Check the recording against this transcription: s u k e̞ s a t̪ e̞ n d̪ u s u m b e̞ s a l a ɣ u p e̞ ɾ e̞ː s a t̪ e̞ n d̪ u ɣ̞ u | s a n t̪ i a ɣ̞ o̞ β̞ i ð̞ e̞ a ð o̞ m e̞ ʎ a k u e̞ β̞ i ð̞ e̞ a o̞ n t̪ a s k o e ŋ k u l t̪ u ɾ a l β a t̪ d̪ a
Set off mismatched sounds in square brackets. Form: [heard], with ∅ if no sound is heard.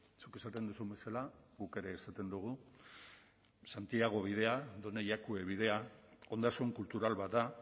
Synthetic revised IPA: s u k e̞ s a t̪ e̞ n d̪ u s u m b e̞ s a l a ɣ u [k] e̞ ɾ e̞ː s a t̪ e̞ n d̪ u ɣ̞ u | s a n t̪ i a ɣ̞ o̞ β̞ i ð̞ e̞ a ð o̞ [n] e̞ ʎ a k u e̞ β̞ i ð̞ e̞ a o̞ n [d̪] a s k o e ŋ k u l t̪ u ɾ a l β a t̪ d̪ a